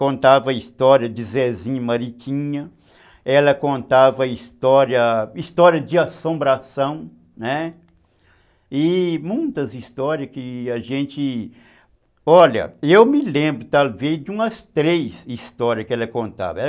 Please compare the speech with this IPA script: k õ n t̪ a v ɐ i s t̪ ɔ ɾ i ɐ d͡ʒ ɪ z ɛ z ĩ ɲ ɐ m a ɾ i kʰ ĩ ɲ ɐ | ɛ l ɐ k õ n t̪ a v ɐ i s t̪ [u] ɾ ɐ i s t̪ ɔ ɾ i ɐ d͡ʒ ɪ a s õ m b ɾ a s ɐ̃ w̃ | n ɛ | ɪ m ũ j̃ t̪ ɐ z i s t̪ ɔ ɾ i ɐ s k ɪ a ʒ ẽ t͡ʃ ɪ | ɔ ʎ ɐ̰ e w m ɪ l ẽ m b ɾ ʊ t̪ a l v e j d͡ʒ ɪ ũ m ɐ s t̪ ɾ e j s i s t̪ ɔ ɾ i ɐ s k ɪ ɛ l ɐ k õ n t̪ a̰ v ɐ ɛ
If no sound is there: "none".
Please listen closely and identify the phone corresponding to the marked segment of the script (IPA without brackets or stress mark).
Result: ɔ